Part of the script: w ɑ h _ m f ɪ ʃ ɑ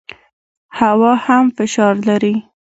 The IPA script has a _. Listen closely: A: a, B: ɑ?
A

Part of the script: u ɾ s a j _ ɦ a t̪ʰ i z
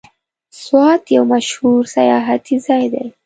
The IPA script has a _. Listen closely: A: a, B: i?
A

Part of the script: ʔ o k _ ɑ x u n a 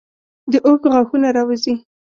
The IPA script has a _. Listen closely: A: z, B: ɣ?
B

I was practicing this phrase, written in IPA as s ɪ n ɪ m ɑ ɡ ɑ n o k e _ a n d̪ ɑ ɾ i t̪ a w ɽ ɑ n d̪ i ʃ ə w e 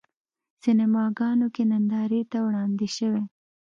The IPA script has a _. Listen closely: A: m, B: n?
B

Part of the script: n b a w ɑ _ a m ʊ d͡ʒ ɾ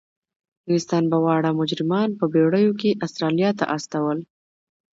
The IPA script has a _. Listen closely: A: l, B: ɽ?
B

